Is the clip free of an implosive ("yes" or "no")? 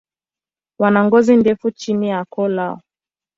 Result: yes